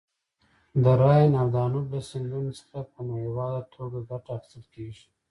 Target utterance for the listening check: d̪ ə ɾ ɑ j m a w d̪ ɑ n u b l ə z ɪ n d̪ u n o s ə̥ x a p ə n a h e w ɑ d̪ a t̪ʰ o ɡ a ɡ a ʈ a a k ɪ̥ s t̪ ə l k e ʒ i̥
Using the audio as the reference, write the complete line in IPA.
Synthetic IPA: d̪ ə ɾ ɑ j n a w d̪ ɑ n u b l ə s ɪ n d̪ u n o s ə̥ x a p ə n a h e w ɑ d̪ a t̪ʰ o ɡ a ɡ a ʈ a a x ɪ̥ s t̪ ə l k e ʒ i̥